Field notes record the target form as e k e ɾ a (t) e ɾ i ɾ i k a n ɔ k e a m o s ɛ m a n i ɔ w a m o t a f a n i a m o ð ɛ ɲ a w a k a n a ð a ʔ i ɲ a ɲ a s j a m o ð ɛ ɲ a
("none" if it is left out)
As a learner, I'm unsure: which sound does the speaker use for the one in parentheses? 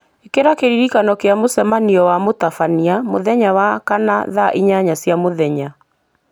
k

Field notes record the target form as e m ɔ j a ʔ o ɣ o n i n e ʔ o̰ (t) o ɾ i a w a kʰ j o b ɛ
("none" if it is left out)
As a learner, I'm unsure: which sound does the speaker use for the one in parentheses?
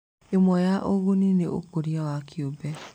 k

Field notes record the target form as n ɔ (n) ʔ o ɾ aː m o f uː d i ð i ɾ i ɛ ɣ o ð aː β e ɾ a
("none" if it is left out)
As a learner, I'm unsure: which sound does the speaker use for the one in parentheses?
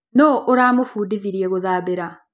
none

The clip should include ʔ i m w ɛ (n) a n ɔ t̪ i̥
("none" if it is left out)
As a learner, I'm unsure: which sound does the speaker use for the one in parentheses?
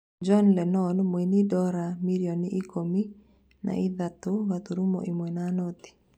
n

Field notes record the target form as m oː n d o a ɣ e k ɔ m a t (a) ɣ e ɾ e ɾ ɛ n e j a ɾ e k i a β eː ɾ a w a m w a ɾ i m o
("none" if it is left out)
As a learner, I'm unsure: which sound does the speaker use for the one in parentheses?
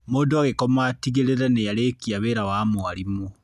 i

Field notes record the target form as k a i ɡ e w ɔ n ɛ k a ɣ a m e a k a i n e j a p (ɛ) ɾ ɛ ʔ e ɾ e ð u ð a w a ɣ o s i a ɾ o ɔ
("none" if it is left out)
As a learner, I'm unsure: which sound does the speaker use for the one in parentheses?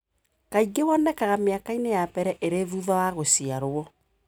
ɛ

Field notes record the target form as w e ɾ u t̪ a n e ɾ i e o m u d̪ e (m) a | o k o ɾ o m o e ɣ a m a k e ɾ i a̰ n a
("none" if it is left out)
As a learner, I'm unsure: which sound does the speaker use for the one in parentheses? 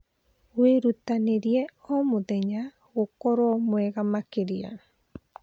ɲ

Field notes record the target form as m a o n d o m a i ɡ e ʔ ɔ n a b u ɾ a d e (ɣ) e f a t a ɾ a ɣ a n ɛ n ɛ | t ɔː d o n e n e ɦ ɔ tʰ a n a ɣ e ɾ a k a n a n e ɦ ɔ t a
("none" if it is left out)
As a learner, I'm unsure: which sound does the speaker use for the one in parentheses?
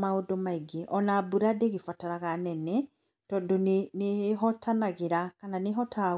ɣ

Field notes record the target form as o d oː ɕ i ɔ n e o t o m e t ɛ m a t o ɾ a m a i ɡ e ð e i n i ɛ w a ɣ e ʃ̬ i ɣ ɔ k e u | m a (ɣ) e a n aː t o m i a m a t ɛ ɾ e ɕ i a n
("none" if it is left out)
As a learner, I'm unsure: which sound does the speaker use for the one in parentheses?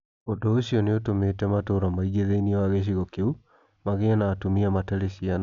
ɣ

